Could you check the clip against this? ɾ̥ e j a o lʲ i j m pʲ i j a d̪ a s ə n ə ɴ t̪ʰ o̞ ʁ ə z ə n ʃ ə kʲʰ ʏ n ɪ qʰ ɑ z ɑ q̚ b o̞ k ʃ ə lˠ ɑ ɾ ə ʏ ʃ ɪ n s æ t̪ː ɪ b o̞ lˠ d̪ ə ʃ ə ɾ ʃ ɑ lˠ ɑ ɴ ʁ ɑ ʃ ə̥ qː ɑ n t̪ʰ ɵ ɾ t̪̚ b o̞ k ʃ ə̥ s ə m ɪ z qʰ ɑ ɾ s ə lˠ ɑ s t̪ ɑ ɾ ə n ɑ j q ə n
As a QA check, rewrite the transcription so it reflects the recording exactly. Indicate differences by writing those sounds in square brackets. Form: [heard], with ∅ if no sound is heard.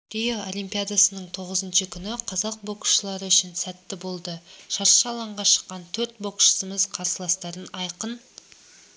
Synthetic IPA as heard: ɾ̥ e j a o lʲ i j m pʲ i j a d̪ a s ə n ə ɴ t̪ʰ o̞ ʁ ə z ə n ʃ ə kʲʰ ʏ n ɪ qʰ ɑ z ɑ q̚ b o̞ k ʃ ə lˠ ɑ ɾ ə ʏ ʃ ɪ n s æ t̪ː ɪ b o̞ lˠ d̪ ə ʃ [ɑ] ɾ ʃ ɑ lˠ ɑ ɴ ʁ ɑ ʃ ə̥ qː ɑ n t̪ʰ ɵ ɾ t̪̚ b o̞ k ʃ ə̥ s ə m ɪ z qʰ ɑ ɾ s ə lˠ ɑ s t̪ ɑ ɾ ə n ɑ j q ə n